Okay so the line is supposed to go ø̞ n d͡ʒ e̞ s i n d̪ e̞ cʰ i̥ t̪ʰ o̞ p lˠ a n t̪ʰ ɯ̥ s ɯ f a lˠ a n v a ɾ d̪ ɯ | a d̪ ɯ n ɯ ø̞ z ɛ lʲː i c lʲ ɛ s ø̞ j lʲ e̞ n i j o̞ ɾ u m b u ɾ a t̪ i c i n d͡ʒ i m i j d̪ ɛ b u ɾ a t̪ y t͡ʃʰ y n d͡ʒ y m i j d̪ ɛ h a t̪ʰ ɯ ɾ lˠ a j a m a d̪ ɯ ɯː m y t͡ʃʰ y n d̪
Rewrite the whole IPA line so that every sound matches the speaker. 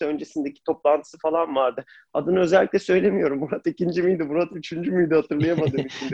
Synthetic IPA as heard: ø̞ n d͡ʒ e̞ s i n d̪ e̞ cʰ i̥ t̪ʰ o̞ p lˠ a n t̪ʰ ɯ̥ s ɯ f a lˠ a n v a ɾ d̪ ɯ | a d̪ ɯ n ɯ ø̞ z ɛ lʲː i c lʲ ɛ s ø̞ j lʲ e̞ m i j o̞ ɾ u m b u ɾ a t̪ i c i n d͡ʒ i m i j d̪ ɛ b u ɾ a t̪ y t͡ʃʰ y n d͡ʒ y m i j d̪ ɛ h a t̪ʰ ɯ ɾ lˠ a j a m a d̪ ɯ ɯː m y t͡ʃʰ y n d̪